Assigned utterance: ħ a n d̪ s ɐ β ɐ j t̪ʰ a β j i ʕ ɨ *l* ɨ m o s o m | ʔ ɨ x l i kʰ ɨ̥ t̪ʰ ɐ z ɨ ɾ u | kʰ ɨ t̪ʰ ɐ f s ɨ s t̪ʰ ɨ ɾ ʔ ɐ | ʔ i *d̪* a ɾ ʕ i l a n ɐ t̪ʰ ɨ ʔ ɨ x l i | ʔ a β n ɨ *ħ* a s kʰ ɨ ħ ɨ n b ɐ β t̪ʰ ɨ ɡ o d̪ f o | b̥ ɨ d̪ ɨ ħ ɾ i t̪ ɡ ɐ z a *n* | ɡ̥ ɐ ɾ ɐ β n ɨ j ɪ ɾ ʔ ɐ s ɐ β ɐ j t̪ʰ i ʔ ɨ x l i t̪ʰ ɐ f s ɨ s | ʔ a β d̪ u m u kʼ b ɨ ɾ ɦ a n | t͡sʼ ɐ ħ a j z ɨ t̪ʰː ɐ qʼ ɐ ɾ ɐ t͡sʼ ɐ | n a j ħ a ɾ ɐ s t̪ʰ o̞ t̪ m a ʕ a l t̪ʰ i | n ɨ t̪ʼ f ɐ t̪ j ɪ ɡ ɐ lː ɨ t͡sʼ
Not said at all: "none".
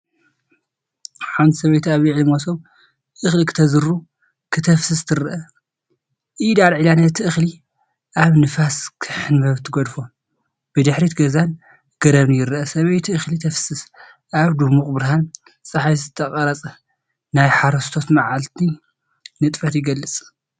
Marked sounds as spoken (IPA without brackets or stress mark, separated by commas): l, d̪, f, n